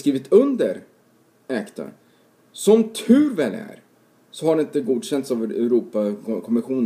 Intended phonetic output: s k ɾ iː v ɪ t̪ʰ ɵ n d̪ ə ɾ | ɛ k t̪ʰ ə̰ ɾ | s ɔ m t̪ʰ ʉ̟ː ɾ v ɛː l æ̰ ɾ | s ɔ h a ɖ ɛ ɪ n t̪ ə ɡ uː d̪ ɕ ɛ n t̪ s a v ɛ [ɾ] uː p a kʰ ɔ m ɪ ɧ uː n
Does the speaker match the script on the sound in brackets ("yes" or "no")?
yes